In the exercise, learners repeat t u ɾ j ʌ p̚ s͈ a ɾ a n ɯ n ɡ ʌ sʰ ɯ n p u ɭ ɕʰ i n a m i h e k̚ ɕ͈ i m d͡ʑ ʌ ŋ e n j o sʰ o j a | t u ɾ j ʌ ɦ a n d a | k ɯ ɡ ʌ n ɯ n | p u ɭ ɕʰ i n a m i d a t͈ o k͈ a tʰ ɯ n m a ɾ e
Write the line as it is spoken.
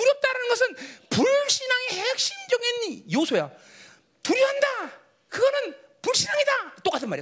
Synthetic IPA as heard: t u ɾ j ʌ p̚ t͈ a ɾ a n ɯ n ɡ ʌ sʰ ɯ n p u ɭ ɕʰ i n a ŋ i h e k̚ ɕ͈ i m d͡ʑ ʌ ŋ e n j o sʰ o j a | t u ɾ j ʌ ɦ a n d a | k ɯ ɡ ʌ n ɯ n | p u ɭ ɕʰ i n a ŋ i d a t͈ o k͈ a tʰ ɯ n m a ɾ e